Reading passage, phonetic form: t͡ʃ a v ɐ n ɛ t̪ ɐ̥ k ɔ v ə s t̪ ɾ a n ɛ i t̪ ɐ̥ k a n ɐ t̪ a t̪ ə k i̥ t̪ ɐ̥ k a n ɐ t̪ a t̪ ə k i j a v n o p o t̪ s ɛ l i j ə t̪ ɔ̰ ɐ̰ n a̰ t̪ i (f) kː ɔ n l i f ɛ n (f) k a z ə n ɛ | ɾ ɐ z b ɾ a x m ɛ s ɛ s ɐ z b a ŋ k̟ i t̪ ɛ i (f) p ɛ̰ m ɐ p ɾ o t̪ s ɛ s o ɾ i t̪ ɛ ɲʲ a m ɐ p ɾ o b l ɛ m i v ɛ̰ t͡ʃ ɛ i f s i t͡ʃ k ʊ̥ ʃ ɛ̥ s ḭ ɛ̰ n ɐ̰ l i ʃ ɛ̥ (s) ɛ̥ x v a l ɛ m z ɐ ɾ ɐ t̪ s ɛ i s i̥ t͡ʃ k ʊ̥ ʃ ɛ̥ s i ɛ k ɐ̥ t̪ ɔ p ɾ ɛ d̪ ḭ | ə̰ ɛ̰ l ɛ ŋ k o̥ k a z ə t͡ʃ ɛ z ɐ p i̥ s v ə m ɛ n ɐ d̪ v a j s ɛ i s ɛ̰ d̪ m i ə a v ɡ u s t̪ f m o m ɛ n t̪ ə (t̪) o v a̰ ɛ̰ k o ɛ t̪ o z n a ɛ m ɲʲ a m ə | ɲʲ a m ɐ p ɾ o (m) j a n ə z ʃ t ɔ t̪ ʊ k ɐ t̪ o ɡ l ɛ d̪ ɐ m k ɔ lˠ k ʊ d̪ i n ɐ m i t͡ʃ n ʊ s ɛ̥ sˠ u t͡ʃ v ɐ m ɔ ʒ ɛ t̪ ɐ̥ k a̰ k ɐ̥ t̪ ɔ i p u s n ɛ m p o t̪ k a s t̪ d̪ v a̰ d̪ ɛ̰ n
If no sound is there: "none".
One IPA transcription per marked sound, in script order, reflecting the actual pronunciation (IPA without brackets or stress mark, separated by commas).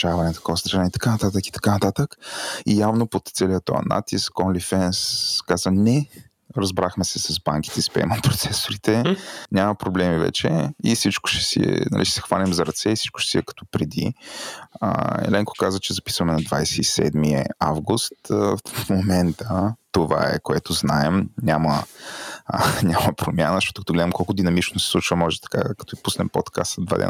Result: s, s, s, s, t̪, m